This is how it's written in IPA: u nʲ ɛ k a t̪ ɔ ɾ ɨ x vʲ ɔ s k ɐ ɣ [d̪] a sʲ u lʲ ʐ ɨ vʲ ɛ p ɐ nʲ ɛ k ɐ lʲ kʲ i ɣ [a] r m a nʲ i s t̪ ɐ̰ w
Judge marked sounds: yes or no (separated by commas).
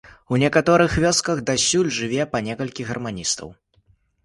yes, no